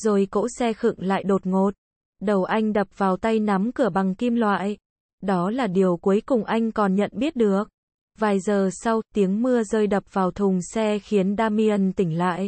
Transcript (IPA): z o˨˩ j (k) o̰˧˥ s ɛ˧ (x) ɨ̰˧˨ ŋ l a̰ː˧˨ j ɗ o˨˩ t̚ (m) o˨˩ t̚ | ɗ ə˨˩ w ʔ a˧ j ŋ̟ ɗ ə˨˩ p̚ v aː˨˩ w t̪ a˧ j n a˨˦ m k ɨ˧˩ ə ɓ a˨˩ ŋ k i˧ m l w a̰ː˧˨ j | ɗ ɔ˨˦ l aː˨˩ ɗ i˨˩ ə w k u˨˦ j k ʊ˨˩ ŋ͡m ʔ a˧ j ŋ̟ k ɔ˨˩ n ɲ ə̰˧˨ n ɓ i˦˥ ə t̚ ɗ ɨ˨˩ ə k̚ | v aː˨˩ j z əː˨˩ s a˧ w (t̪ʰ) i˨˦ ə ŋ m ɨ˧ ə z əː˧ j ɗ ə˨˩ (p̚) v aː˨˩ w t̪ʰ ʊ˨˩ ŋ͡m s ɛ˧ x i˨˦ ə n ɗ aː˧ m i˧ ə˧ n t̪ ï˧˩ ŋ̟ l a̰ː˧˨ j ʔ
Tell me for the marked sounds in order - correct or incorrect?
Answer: correct, correct, incorrect, incorrect, correct

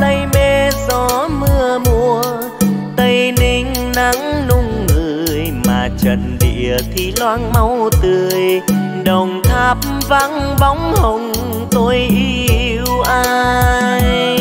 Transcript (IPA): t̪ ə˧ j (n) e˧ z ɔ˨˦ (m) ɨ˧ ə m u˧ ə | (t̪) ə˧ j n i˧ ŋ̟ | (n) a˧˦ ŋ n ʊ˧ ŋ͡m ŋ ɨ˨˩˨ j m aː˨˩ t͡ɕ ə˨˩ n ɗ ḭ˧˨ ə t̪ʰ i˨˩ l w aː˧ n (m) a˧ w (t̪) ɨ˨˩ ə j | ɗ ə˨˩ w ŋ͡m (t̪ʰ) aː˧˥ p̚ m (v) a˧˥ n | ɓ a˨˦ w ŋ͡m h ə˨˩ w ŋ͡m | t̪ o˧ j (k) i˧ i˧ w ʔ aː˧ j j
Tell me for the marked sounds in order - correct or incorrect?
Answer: incorrect, correct, correct, correct, correct, correct, correct, correct, incorrect

